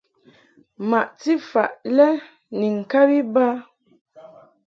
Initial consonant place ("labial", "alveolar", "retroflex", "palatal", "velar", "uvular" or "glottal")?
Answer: labial